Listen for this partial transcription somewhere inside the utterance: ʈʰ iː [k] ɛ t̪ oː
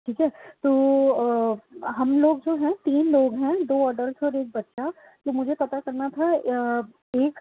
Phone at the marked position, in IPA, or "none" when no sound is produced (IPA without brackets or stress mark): k